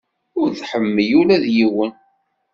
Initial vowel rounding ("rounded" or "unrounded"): rounded